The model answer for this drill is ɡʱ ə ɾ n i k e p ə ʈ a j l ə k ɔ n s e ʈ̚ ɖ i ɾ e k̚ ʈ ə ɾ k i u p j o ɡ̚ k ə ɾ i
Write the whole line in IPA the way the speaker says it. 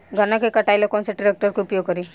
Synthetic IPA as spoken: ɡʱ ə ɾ n a k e k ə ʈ a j l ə k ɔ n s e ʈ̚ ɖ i ɾ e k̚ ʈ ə ɾ k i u p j o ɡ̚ k ə ɾ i